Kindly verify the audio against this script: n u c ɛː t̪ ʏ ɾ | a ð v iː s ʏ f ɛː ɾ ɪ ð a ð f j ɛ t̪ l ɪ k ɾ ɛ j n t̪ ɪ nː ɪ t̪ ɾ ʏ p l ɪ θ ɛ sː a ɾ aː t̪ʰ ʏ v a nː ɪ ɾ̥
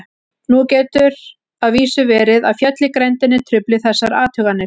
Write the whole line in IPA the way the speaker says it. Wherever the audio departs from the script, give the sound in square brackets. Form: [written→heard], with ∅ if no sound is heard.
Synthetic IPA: n u c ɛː t̪ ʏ ɾ | a ð v iː s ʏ [f→v] ɛː ɾ ɪ ð a ð f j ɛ t̪ l ɪ k ɾ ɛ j n t̪ ɪ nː ɪ [t̪→t̪ʰ] ɾ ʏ p l ɪ θ ɛ sː a ɾ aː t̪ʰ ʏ [v→ɣ] a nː ɪ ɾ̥